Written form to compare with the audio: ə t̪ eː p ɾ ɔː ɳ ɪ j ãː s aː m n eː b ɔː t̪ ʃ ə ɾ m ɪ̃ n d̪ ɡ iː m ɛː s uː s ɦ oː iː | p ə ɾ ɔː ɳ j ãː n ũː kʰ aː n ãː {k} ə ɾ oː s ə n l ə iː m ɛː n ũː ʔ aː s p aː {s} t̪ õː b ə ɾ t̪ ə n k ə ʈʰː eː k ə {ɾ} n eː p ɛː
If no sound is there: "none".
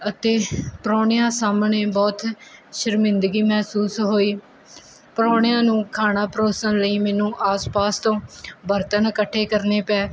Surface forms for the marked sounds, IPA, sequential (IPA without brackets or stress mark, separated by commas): p, s, ɾ